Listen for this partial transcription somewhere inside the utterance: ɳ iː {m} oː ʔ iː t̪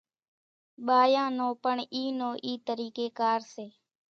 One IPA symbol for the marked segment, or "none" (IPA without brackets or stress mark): n